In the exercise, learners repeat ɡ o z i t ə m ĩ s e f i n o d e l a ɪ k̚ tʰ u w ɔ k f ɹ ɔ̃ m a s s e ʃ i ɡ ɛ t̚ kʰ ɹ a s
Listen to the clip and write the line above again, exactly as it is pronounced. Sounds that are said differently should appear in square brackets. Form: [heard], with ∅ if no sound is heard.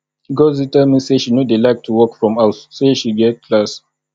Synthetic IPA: ɡ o z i t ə m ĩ s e [ʃ] i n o d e l a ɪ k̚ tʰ u w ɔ k f ɹ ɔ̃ m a s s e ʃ i ɡ ɛ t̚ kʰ [l] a s

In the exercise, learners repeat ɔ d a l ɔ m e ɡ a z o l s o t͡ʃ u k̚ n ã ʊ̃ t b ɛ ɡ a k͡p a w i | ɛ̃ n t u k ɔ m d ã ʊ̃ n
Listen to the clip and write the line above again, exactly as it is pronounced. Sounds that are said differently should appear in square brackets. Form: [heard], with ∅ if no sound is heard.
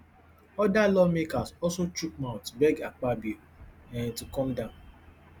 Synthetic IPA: ɔ d a l ɔ m e [k] a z [ɔ] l s o t͡ʃ u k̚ [m] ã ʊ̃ t b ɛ ɡ a k͡p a [b] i | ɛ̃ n t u k ɔ m d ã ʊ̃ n

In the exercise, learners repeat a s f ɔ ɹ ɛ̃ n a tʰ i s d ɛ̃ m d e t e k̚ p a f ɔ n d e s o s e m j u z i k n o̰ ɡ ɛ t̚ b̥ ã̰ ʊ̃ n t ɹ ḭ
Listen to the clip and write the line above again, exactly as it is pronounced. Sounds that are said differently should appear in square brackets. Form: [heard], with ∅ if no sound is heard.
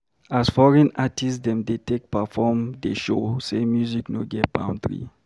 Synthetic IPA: a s f ɔ ɹ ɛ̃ n a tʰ i s d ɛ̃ m d e t e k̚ p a f ɔ [m] d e [ʃ] o s e m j u z i k n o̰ ɡ ɛ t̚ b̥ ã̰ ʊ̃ n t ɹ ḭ

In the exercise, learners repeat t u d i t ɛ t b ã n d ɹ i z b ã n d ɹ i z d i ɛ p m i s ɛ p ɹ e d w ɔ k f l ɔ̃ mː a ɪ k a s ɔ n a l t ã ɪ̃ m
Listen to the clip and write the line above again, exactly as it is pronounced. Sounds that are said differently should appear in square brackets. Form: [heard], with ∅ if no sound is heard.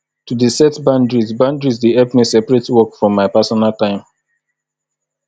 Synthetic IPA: t u d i [s] ɛ t b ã n d ɹ i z b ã n d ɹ i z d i ɛ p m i s ɛ p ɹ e [t] w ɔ k f [ɹ] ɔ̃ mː a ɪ [p] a s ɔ n a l t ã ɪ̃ m

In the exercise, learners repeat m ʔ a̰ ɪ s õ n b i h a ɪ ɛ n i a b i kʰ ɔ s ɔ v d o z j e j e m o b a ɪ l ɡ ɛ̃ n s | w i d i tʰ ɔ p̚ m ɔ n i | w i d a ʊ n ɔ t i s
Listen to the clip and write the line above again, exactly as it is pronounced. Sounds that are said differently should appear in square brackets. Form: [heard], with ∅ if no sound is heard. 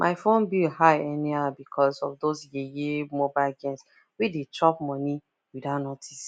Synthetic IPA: m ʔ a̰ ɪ [f] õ n b i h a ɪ ɛ n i a b i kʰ ɔ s ɔ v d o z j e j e m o b a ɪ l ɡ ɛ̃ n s | w i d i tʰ ɔ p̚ m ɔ n i | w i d a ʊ n ɔ t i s

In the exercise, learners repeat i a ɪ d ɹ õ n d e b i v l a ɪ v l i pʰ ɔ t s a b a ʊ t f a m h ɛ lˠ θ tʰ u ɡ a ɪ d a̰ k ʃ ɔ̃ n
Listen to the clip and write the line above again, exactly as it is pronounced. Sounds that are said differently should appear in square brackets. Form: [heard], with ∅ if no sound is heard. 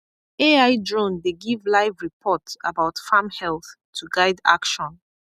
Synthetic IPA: [e] a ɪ d ɹ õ n d e [ɡ] i v l a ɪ v [ɹ] i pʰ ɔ t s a b a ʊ t f a m h ɛ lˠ θ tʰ u ɡ a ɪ d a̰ k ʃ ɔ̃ n

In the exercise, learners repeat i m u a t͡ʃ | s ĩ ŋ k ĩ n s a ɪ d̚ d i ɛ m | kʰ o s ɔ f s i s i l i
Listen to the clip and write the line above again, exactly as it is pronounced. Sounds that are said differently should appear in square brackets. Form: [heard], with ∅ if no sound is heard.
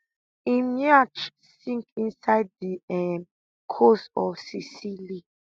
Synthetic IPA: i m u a t͡ʃ | s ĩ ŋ k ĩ n s a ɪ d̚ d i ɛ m | kʰ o s ɔ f s i s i l i

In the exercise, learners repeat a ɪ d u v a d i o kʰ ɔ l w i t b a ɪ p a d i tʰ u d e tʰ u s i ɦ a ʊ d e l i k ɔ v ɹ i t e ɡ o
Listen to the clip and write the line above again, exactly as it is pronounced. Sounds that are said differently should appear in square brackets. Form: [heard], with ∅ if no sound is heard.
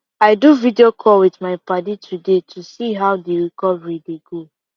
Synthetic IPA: a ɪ d u v [i] d i o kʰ ɔ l w i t [m] a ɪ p a d i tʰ u d e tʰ u s i ɦ a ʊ d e [ɹ] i k ɔ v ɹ i [d] e ɡ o

